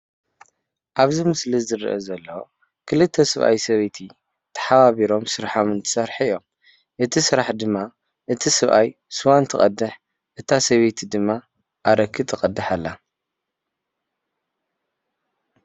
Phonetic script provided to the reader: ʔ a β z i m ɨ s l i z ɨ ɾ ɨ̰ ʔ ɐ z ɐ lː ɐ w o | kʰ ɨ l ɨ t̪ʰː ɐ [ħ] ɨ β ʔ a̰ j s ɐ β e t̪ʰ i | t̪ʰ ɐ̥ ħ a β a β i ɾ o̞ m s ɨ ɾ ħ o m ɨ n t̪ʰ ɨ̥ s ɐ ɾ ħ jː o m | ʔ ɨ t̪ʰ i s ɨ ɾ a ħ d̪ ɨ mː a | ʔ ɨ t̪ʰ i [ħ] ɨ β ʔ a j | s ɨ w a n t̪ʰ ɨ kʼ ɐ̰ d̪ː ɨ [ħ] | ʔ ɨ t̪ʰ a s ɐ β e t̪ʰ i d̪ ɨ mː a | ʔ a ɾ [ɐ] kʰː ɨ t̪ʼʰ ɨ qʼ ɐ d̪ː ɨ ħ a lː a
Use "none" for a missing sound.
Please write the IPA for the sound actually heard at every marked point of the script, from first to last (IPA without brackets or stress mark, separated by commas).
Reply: s, s, ħ, ɐ